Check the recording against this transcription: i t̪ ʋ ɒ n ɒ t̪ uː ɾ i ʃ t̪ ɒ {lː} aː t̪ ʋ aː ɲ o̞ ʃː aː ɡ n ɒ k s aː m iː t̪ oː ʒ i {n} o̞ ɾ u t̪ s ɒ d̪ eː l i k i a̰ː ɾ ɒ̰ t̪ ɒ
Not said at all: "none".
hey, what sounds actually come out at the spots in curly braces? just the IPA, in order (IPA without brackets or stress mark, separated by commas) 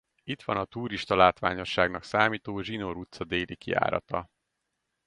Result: l, n